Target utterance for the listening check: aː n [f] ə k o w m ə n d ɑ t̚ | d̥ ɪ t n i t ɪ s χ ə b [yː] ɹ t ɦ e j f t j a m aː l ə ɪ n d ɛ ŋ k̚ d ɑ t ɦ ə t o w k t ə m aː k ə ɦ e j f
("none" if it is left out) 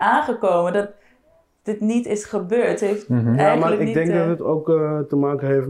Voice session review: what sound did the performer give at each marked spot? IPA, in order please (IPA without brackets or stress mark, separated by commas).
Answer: χ, øː